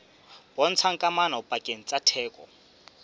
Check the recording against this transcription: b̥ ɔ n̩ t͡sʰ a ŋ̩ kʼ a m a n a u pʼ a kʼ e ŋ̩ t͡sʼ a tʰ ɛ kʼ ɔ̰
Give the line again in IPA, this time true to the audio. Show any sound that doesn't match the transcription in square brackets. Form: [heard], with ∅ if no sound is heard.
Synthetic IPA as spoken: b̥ ɔ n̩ t͡sʰ a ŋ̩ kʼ a m a n a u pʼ a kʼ e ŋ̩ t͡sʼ a tʰ [ɛː] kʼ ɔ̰